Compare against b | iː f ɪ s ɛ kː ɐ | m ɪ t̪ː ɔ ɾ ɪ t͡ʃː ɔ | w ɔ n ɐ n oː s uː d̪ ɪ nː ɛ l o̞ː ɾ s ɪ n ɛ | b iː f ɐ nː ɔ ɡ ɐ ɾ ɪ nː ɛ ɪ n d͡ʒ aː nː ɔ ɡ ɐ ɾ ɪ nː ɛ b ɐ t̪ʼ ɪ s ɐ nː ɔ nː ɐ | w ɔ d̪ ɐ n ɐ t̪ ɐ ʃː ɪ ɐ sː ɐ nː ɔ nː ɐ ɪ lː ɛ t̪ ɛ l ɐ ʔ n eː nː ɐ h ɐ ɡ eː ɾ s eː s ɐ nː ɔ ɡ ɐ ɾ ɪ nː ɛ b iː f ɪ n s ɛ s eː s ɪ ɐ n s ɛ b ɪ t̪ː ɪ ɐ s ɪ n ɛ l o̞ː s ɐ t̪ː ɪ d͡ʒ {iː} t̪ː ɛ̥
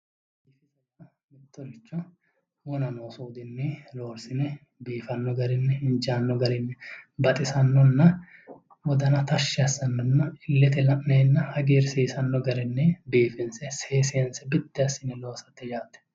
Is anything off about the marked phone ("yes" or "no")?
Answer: yes